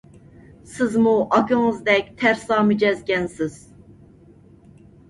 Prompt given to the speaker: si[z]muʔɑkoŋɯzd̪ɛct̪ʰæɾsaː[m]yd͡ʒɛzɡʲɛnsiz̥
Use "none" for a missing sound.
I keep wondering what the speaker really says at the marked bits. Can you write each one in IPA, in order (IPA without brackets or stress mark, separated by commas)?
z, m